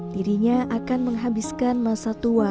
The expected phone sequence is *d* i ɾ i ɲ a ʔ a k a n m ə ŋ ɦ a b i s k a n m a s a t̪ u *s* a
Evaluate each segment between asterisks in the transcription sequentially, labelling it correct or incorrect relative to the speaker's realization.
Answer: correct, incorrect

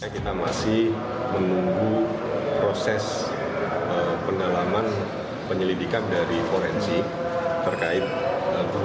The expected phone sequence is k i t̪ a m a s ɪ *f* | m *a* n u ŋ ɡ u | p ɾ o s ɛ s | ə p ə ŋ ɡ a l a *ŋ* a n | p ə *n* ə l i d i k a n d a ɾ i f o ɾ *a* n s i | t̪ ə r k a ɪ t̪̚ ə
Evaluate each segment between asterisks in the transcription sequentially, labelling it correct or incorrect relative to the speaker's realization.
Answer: incorrect, incorrect, incorrect, incorrect, incorrect

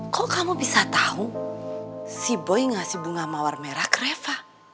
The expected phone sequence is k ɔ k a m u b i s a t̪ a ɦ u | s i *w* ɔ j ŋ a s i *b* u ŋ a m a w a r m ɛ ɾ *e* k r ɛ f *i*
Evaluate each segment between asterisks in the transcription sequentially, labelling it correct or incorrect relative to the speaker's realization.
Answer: incorrect, correct, incorrect, incorrect

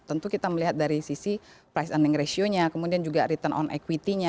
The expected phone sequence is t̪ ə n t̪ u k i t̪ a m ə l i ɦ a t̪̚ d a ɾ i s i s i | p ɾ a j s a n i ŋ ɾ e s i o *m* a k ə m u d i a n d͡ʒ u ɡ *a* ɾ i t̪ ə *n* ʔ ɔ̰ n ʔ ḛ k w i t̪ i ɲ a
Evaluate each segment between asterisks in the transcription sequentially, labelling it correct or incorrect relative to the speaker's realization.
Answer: incorrect, correct, correct

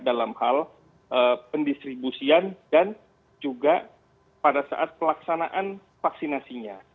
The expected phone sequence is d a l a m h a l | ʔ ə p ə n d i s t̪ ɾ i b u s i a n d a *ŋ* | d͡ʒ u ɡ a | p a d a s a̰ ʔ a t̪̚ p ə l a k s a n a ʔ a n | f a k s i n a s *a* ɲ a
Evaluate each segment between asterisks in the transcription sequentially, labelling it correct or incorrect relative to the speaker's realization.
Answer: incorrect, incorrect

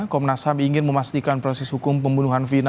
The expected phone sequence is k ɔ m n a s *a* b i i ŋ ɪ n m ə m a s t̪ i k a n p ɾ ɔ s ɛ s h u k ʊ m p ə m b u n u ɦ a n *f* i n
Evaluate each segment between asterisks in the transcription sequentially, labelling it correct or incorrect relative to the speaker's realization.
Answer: correct, correct

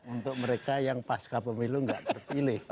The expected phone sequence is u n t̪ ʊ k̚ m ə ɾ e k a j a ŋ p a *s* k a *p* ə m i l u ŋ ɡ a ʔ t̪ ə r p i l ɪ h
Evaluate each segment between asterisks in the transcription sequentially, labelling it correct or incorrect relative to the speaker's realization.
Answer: correct, correct

